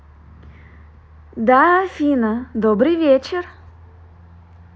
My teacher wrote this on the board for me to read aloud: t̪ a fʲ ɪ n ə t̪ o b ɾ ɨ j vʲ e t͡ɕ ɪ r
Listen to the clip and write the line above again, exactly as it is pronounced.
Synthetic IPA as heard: d̪ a fʲ i n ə d̪ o b ɾ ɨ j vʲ e t͡ɕ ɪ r